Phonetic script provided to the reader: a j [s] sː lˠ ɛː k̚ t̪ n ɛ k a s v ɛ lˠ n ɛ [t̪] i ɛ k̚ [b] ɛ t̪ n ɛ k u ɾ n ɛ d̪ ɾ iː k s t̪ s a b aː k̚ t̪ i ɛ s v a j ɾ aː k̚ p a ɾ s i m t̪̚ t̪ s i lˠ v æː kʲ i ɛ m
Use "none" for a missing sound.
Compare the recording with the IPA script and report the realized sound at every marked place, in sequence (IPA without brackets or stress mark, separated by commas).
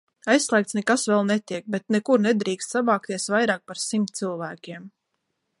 s, t̪, b